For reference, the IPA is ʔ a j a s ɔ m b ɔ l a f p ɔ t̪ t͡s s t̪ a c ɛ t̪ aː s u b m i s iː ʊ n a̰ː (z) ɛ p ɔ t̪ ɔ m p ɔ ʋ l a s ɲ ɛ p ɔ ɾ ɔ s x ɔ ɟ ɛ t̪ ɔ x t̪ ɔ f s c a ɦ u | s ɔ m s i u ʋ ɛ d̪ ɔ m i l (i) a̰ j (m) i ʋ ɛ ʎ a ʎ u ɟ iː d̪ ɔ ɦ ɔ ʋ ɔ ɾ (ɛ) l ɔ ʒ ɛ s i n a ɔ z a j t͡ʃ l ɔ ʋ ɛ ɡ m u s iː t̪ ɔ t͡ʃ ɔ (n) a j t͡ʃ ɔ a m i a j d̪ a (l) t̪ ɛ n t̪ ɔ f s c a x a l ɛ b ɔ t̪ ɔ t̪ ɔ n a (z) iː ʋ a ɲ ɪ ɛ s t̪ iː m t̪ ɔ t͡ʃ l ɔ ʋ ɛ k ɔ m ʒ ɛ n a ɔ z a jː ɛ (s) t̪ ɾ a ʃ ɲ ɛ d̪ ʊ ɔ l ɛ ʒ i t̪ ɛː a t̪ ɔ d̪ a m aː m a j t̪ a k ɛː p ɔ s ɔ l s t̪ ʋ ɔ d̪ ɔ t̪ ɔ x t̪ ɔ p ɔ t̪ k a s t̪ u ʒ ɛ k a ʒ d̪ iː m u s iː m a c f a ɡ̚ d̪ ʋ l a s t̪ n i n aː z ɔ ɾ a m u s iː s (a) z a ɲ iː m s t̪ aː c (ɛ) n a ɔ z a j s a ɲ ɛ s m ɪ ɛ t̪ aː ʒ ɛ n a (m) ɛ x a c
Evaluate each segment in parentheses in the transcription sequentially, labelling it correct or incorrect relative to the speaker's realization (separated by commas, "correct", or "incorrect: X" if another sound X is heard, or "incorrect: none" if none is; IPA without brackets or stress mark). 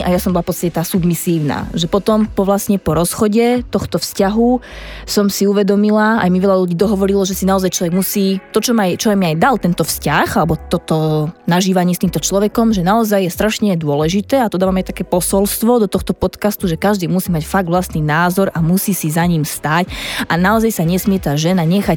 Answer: incorrect: ʒ, incorrect: a, correct, incorrect: i, incorrect: m, correct, incorrect: ʒ, correct, incorrect: i, incorrect: a, incorrect: ɲ